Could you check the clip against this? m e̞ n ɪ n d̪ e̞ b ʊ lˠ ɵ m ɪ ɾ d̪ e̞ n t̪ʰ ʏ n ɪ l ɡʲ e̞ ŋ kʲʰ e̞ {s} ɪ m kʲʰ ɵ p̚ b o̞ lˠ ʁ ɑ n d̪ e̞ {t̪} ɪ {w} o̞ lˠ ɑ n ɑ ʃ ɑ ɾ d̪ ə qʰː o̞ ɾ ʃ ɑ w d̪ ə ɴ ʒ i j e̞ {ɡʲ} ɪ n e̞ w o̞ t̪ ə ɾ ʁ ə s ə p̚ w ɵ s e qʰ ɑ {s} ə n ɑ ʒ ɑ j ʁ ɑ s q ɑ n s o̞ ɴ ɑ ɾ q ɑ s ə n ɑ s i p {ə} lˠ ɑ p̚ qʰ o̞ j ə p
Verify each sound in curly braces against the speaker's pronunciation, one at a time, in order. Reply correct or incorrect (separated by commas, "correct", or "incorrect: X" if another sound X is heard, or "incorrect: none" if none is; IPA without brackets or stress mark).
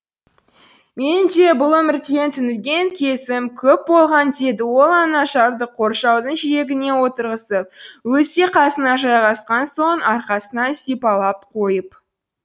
correct, incorrect: d̪, correct, correct, correct, incorrect: ɑ